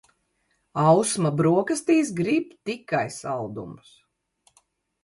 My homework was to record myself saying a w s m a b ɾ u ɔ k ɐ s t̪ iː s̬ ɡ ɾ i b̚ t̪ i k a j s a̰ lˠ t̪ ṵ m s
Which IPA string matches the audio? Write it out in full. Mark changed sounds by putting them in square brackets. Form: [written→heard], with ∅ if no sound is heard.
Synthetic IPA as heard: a w s m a b ɾ u ɔ k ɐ s t̪ iː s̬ ɡ ɾ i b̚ t̪ i k a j s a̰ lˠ [t̪→d̪] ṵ m s